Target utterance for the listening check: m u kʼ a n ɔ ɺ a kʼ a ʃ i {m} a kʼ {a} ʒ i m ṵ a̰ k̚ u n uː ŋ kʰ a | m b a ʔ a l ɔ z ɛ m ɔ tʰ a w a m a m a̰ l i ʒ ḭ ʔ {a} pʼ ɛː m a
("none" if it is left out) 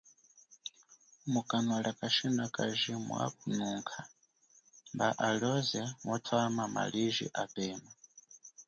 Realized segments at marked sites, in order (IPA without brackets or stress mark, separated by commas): n, a, a